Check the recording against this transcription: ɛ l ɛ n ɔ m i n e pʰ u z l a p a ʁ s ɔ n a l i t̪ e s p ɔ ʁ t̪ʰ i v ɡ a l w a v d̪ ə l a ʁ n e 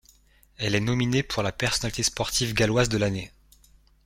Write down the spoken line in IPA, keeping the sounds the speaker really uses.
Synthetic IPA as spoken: ɛ l ɛ n ɔ m i n e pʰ u ʁ l a p ɛ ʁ s ɔ n a l i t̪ e s p ɔ ʁ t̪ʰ i v ɡ a l w a z d̪ ə l a n e